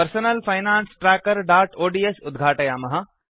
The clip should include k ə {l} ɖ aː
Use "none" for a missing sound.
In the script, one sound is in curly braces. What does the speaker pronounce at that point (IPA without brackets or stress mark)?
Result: ɾ